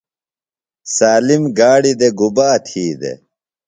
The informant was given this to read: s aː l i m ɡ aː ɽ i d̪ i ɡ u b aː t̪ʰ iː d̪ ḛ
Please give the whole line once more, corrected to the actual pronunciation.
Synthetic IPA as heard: s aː l i m ɡ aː ɽ i d̪ e ɡ u b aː t̪ʰ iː d̪ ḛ